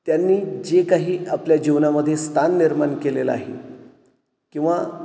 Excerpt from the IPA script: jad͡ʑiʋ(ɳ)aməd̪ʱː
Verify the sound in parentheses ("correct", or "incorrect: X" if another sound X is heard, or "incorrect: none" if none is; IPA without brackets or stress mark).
incorrect: n